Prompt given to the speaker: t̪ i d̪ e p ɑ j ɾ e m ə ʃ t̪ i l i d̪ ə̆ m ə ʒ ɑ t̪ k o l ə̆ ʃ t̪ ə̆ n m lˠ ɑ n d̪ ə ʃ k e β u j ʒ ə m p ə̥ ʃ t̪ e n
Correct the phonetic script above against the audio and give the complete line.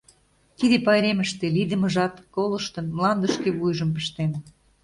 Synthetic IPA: t̪ i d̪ e p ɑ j ɾ e m ə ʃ t̪ e l i d̪ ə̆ m ə ʒ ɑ t̪ k o l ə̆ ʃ t̪ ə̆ n m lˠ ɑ n d̪ ə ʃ k e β u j ʒ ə m p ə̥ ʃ t̪ e n